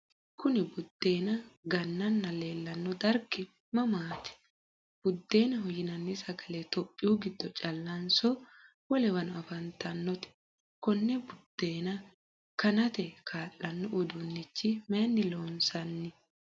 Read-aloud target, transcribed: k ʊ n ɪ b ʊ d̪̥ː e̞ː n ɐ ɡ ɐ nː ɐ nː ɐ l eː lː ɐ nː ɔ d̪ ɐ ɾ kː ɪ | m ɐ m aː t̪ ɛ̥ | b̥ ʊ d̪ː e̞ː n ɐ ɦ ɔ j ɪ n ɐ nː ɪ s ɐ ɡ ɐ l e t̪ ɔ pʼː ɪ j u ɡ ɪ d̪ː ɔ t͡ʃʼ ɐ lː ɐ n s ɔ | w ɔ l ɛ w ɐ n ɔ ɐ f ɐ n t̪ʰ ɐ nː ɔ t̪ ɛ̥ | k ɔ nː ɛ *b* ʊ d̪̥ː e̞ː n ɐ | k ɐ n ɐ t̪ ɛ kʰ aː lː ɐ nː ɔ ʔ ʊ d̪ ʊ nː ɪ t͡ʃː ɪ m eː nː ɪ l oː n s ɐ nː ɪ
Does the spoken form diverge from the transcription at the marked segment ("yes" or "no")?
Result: no